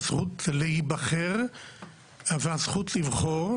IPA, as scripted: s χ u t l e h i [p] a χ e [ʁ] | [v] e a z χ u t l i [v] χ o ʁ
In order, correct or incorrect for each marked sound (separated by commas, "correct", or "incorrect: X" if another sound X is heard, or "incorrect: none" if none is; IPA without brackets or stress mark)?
incorrect: b, correct, correct, correct